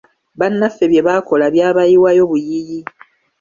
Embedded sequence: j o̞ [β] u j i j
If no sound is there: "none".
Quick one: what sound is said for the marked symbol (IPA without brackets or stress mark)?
β